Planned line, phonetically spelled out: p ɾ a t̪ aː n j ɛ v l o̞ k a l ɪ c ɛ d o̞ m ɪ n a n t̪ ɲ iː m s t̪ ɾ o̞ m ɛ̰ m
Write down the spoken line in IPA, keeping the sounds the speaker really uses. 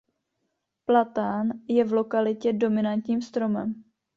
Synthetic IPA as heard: p l a t̪ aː n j ɛ v l o̞ k a l ɪ c ɛ d o̞ m ɪ n a n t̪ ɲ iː m s t̪ ɾ o̞ m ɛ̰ m